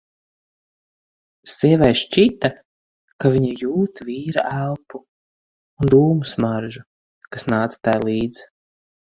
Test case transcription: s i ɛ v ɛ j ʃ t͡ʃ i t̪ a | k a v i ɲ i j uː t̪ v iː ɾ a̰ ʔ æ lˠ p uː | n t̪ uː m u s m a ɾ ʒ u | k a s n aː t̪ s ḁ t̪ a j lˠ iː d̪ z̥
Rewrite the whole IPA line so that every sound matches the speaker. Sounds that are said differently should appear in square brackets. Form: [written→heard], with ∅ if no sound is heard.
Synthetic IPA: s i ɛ v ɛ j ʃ t͡ʃ i t̪ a | k a v i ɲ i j uː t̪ v iː ɾ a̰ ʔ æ lˠ p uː | n [t̪→d̪] uː m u s m a ɾ ʒ u | k a s n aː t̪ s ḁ t̪ a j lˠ iː d̪ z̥